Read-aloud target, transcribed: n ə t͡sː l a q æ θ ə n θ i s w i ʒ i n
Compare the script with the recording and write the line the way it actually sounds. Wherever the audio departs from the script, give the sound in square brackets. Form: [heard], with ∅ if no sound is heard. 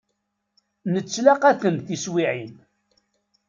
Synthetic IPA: n ə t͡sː l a q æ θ ə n θ i s w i [ʕ] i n